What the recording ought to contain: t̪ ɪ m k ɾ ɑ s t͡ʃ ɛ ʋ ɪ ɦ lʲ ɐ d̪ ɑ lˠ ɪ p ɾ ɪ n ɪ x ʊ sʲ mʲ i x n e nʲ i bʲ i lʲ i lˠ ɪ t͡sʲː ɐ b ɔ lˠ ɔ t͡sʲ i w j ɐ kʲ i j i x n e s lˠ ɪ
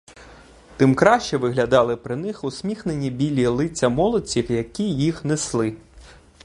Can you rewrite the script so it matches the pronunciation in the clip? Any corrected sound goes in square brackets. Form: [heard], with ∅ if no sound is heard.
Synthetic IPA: t̪ ɪ m k ɾ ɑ [ʃ] t͡ʃ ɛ ʋ ɪ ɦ lʲ ɐ d̪ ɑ lˠ ɪ p ɾ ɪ n ɪ x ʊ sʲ mʲ i x n e nʲ i bʲ i lʲ i lˠ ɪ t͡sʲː ɐ [m] ɔ lˠ ɔ t͡sʲ i w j ɐ kʲ i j i x n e s lˠ ɪ